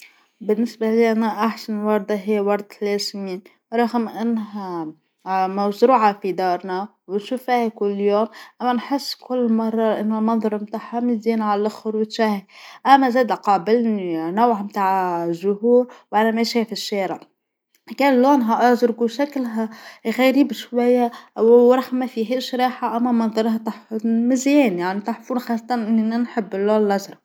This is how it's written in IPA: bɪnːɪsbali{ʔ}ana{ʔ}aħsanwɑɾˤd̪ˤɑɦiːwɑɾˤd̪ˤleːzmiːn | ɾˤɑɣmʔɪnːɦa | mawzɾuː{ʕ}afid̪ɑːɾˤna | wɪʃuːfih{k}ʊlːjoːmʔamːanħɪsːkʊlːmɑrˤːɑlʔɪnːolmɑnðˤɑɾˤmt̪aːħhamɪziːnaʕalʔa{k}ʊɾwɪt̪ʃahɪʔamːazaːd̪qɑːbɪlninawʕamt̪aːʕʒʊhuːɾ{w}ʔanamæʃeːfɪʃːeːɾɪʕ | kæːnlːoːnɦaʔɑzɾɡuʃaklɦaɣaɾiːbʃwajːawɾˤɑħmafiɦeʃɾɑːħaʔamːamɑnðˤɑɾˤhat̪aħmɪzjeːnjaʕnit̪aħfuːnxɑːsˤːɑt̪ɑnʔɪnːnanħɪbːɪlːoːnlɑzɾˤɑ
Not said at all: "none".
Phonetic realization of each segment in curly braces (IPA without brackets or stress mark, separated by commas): ʔ, ʔ, ʕ, k, x, w